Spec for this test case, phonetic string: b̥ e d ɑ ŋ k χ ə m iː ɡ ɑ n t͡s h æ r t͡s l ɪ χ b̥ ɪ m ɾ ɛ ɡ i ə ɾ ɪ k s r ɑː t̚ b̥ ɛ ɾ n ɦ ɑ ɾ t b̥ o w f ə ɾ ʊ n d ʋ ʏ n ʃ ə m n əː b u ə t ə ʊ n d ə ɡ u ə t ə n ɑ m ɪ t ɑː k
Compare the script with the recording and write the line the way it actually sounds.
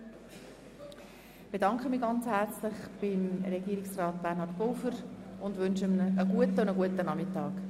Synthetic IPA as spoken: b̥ e d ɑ ŋ k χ ə m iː ɡ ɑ n t͡s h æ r t͡s l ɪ χ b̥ ɪ m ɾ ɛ ɡ i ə ɾ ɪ k s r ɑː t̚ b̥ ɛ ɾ n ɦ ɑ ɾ t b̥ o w f ə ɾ ʊ n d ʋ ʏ n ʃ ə m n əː ɡ u ə t ə ʊ n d ə ɡ u ə t ə n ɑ m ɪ t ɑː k